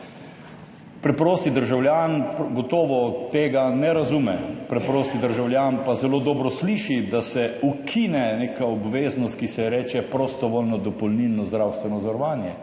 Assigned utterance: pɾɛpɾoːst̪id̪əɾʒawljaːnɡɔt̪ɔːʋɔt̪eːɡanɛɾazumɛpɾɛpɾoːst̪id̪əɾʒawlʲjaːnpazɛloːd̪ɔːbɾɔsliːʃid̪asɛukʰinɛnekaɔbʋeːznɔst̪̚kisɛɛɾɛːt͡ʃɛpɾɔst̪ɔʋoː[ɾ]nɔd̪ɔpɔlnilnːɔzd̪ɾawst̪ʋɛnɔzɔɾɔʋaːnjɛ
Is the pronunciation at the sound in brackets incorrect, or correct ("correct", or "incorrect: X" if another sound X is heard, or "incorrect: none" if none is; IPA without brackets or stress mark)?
incorrect: l